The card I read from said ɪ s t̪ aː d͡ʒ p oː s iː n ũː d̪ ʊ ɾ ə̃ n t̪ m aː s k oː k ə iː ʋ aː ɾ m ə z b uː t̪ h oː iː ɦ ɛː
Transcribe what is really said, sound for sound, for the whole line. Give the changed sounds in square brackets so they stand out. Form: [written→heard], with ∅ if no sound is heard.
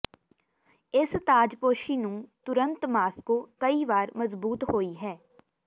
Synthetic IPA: ɪ s t̪ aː d͡ʒ p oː [s→ʃ] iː n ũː [d̪→t̪] ʊ ɾ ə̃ n t̪ m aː s k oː k ə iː ʋ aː ɾ m ə z b uː t̪ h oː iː ɦ ɛː